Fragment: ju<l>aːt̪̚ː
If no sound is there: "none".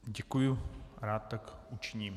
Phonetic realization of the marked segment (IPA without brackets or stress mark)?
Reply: ɾ